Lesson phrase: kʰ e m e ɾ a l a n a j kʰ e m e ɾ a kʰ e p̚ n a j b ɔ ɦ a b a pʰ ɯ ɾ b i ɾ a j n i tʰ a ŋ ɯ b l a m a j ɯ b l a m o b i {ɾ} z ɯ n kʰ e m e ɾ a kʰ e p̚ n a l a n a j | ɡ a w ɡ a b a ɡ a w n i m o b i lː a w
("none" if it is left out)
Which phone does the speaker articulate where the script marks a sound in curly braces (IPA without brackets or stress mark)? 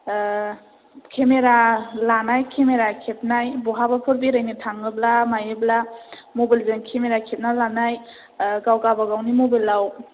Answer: l